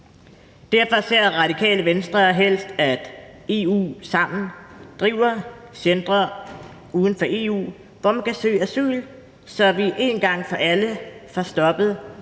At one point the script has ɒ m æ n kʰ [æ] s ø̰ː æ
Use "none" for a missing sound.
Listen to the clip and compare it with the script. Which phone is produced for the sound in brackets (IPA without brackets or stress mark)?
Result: æ